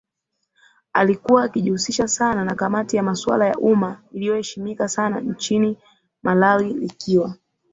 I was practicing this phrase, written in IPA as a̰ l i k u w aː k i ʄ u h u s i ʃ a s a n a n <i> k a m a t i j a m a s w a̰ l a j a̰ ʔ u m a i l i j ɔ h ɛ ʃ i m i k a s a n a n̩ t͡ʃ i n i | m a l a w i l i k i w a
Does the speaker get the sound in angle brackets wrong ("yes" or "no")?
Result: yes